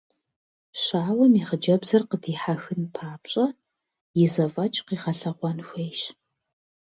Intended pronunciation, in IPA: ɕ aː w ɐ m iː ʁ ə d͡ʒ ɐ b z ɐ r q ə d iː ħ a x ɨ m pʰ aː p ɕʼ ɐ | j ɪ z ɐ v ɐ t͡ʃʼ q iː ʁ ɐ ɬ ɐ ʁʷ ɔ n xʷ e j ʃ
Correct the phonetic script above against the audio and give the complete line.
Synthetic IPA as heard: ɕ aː w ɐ m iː ʁ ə d͡ʒ ɐ b z ɐ r q ə d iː ħ a x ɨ n pʰ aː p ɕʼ ɐ | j ɪ z ɐ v ɐ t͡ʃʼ q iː ʁ ɐ ɬ ɐ ʁʷ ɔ n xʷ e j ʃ